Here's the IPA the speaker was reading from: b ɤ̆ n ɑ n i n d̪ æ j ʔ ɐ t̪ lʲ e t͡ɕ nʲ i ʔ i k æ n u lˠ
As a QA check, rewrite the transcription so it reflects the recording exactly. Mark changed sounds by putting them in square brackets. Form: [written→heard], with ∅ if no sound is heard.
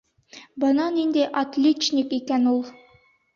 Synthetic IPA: b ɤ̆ n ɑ n i n d̪ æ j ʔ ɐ t̪ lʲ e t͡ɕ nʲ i [ʔ→k] i k æ n u lˠ